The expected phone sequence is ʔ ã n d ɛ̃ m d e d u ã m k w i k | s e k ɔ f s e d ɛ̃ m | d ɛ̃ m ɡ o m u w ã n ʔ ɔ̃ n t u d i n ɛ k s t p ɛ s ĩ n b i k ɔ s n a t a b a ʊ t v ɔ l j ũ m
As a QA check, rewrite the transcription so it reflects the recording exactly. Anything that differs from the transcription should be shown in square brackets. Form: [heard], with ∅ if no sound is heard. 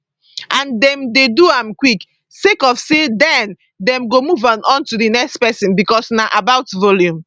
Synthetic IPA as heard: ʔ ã n d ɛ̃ m d e d u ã m k w i k | s e k ɔ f s e d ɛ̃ [n] | d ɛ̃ m ɡ o m u [v] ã n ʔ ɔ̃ n t u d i n ɛ k s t p ɛ s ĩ n b i k ɔ s n a [ʔ] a b a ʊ t v ɔ l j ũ m

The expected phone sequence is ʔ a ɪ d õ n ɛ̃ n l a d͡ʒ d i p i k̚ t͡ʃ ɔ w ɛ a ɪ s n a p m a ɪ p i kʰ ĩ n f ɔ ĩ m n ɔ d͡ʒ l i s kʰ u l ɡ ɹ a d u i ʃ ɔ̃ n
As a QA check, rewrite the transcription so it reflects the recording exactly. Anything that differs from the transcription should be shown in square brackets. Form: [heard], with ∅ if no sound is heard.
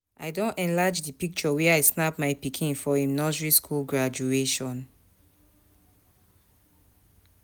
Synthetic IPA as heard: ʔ a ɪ d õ n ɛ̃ n l a d͡ʒ d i p i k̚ t͡ʃ ɔ w ɛ a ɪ s n a p m a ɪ p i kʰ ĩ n f ɔ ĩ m n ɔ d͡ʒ [ɹ] i s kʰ u l ɡ ɹ a [d͡ʒ] u [e] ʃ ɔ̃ n

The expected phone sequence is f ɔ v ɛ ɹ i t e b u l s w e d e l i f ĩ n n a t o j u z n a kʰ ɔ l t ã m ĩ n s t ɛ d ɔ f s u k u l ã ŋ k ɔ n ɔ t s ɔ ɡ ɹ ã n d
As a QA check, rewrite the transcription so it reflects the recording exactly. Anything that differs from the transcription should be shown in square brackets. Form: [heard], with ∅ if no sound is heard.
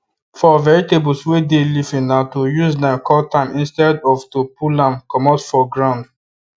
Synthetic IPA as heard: f ɔ v ɛ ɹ i t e b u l s w e d e l i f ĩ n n a t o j u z n a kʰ ɔ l t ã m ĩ n s t ɛ d ɔ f [t] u [p] u l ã [m] k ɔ [m] ɔ t [f] ɔ ɡ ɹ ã n d

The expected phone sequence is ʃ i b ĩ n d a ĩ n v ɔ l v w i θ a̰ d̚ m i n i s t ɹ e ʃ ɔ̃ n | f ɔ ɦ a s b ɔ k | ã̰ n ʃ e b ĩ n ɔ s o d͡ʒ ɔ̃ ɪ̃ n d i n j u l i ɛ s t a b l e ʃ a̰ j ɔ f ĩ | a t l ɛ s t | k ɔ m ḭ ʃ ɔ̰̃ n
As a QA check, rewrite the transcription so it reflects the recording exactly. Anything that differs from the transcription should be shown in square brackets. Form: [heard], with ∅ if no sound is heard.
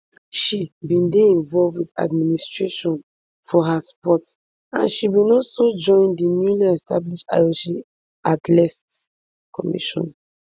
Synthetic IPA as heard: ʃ i b ĩ n d [e] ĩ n v ɔ l v w i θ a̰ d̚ m i n i s t ɹ e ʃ ɔ̃ n | f ɔ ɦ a s [p] ɔ [t] | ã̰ n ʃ [i] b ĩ n ɔ s o d͡ʒ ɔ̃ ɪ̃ n d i n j u l i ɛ s t a b l [i] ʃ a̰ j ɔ [ʃ] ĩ | a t l ɛ s t | k ɔ m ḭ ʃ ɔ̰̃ n

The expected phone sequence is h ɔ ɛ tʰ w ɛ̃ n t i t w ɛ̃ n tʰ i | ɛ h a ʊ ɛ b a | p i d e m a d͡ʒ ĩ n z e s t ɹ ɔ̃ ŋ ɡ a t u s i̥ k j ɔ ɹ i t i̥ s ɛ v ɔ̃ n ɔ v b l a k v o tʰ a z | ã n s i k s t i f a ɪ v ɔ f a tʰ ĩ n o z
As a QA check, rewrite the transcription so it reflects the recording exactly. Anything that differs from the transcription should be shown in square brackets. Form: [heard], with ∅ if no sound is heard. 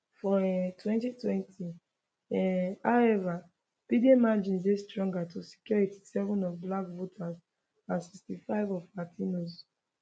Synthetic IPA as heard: [f] ɔ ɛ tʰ w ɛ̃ n t i t w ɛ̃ n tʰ i | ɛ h a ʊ ɛ [v] a | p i d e m a d͡ʒ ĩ n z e s t ɹ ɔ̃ ŋ ɡ a t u s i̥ k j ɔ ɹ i t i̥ s ɛ v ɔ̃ n ɔ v b l a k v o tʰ a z | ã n s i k s t i f a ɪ v ɔ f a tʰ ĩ n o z

